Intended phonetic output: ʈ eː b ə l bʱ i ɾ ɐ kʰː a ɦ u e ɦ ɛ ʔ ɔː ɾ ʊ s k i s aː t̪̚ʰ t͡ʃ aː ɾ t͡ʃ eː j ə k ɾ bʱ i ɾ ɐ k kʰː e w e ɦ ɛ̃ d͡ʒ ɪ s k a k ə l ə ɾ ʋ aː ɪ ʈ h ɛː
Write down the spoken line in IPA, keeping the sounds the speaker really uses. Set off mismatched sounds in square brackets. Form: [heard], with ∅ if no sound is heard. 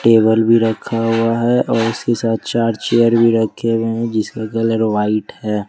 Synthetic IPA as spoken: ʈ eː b ə l bʱ i ɾ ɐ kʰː a ɦ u [a] ɦ ɛ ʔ ɔː ɾ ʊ s k [e] s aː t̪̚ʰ t͡ʃ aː ɾ t͡ʃ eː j ə [∅] ɾ bʱ i ɾ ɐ k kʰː e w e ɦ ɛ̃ d͡ʒ ɪ s k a k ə l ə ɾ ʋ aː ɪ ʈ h ɛː